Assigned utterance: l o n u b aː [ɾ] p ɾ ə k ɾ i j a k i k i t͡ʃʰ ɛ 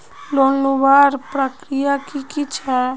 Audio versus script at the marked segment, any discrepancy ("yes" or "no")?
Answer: no